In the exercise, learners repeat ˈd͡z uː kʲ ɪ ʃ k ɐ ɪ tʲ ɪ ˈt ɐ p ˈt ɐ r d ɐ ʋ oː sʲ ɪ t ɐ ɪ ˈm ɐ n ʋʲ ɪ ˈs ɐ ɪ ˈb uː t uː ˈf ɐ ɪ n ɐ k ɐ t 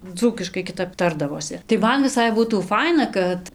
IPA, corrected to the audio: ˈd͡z uː kʲ ɪ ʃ k ɐ ɪ kʲ ɪ ˈt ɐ p ˈt ɐ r d ɐ ʋ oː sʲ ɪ t ɐ ɪ ˈm ɐ n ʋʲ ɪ ˈs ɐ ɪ ˈb uː t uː ˈf ɐ ɪ n ɐ k ɐ t